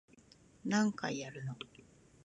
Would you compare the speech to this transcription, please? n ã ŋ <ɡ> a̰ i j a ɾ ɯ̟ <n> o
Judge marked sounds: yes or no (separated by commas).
no, yes